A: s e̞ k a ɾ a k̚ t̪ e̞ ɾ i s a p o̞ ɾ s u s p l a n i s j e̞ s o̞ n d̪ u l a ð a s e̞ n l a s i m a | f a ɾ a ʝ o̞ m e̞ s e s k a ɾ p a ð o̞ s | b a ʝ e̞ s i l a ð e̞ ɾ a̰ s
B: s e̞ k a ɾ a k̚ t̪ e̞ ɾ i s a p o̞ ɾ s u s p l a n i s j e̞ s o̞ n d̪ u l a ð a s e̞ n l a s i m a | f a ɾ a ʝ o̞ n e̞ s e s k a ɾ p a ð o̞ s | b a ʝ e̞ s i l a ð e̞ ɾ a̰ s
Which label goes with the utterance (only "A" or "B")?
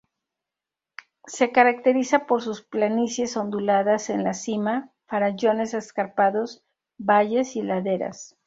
B